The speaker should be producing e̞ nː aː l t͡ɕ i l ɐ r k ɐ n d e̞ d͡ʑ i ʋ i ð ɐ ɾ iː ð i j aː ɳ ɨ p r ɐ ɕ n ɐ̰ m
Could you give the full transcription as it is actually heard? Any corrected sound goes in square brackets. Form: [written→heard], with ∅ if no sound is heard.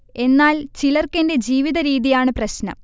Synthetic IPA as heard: e̞ nː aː l t͡ɕ i l ɐ r k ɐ n d e̞ d͡ʑ [i→iː] ʋ i ð ɐ ɾ iː ð i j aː ɳ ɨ p r ɐ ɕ n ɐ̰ m